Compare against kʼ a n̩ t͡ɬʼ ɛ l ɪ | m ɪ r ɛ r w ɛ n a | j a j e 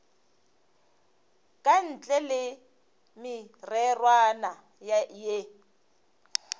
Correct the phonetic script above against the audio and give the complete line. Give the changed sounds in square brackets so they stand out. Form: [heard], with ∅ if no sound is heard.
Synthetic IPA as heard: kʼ a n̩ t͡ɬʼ ɛ l ɪ | m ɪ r ɛ r w [a] n a | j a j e